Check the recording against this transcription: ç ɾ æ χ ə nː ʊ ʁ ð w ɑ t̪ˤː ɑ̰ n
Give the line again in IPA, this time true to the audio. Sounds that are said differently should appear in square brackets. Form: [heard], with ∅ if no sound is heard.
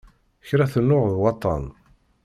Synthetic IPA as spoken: ç ɾ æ [θ] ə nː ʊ ʁ ð w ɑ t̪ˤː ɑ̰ n